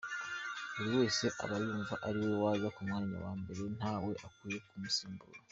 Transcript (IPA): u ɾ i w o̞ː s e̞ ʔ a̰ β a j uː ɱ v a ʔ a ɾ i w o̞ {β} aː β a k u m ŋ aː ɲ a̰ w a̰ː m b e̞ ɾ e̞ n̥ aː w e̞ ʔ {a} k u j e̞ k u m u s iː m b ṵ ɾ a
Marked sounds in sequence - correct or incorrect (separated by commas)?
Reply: incorrect, correct